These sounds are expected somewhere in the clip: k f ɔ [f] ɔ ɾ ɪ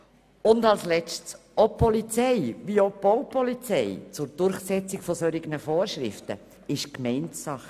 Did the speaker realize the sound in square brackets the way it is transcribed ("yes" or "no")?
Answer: no